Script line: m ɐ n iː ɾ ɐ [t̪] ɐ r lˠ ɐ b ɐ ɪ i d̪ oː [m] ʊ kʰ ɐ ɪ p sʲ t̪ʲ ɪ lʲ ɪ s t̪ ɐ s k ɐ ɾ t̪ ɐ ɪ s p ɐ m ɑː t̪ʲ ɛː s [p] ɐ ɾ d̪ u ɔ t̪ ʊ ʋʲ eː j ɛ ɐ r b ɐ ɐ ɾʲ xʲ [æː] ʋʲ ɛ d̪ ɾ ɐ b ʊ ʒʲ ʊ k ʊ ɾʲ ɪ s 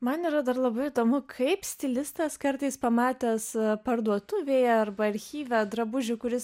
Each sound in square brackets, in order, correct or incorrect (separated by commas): incorrect, correct, correct, incorrect